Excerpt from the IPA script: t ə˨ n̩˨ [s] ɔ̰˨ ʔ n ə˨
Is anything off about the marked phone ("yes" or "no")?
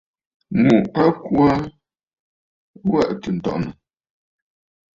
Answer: yes